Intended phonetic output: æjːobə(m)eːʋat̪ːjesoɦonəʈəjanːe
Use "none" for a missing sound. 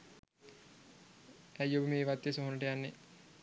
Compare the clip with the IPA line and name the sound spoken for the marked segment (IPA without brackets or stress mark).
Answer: m